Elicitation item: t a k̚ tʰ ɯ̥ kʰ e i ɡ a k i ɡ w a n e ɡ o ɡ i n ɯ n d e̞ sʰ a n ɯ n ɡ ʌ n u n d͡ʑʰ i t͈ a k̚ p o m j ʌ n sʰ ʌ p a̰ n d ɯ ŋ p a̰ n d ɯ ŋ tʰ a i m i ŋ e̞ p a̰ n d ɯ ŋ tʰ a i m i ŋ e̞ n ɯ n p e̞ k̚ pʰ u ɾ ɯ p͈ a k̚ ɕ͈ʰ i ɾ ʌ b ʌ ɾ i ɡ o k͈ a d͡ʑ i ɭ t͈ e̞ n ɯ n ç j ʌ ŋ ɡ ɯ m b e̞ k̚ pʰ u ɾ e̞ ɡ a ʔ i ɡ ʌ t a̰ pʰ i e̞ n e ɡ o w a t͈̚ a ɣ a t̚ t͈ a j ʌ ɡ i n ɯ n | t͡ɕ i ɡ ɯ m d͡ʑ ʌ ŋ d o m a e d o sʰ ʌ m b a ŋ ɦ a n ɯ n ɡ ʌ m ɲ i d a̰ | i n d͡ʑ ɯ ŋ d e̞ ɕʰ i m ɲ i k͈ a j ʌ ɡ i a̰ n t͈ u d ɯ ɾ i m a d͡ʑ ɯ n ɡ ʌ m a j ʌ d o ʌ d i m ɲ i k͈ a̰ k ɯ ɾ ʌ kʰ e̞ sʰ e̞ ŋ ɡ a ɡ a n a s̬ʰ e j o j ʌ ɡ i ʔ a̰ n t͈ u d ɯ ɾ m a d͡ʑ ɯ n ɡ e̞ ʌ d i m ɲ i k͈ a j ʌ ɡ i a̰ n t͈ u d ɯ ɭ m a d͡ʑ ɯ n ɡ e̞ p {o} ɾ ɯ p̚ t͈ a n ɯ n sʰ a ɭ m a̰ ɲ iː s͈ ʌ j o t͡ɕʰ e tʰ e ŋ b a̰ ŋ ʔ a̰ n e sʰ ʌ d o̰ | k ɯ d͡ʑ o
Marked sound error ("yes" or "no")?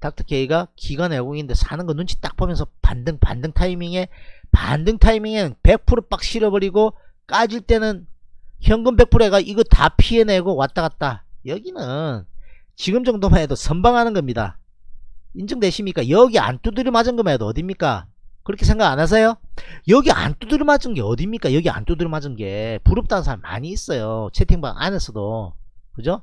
yes